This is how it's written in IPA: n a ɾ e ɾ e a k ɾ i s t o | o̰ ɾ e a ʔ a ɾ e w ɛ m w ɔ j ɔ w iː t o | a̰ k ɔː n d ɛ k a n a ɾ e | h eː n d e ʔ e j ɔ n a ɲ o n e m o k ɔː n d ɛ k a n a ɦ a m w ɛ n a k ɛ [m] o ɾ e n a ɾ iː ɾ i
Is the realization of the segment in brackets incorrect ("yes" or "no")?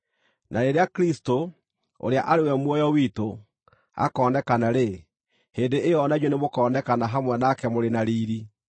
no